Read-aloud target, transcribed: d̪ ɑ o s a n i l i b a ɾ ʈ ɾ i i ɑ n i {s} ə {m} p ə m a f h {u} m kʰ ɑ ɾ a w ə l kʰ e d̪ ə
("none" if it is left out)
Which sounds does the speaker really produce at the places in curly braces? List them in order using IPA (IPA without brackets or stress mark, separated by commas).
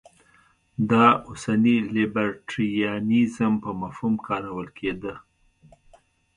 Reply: z, m, u